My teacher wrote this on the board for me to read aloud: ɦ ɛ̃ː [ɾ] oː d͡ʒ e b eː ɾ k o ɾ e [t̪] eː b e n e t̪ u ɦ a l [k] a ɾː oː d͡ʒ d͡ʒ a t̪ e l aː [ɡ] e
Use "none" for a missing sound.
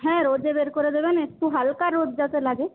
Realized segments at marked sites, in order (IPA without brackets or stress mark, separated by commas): ɾ, d̪, k, ɡ